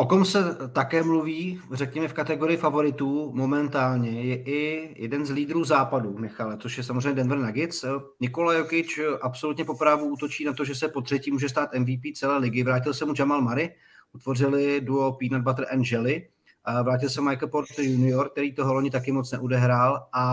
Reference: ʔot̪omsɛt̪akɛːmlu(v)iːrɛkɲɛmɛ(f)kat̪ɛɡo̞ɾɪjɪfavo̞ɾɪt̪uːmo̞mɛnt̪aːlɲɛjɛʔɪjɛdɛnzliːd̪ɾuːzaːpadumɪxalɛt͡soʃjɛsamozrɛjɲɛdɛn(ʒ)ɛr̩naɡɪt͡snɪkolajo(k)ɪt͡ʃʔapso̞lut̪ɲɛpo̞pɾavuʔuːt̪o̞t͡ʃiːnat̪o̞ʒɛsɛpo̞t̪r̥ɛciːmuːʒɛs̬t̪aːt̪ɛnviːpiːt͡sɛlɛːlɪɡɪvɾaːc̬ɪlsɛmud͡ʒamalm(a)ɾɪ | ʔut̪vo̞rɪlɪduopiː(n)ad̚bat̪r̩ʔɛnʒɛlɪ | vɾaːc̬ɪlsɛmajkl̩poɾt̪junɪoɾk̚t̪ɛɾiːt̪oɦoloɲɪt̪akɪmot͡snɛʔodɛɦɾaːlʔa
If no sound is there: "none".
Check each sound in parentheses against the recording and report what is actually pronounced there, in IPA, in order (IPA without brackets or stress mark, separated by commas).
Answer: v, f, v, k, a, n